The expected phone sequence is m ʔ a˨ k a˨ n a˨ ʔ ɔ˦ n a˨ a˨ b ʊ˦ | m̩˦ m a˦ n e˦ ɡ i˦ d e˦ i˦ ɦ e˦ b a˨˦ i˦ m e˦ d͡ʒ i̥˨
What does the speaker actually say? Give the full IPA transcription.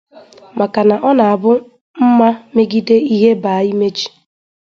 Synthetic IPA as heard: m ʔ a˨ k a˨ n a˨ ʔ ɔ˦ n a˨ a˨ b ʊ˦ | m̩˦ m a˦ m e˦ ɡ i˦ d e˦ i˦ ɦ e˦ b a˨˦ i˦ m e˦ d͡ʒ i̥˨